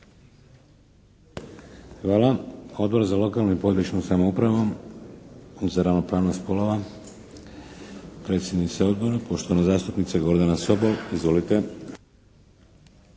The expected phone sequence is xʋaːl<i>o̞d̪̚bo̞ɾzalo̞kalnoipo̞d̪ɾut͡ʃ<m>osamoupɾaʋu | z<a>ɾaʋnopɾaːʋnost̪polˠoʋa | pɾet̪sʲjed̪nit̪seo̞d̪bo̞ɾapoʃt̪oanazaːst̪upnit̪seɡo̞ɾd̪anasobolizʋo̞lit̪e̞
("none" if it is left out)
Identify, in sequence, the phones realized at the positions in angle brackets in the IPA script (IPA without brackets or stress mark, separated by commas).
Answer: a, n, a